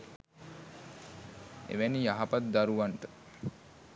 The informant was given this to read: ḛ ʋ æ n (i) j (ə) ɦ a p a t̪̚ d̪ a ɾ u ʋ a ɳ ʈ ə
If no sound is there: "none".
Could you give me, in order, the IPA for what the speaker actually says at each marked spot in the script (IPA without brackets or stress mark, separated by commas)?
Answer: i, a